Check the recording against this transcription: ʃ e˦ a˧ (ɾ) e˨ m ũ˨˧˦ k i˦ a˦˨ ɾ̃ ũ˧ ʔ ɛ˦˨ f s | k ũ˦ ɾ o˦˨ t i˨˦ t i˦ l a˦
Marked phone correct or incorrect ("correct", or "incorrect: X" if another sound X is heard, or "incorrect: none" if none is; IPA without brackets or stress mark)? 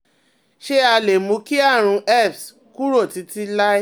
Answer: incorrect: l